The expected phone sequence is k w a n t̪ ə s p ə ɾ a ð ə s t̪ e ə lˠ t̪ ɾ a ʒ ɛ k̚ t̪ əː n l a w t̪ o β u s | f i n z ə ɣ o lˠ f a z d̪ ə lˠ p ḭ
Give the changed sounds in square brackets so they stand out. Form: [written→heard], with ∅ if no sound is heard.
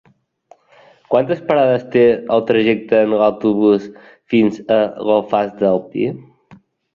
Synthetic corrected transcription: k w a n t̪ ə s p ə ɾ a ð ə s t̪ e ə lˠ t̪ ɾ [a→ə] ʒ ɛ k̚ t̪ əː n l a w t̪ [o→u] β u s | f i n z ə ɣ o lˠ f a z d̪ ə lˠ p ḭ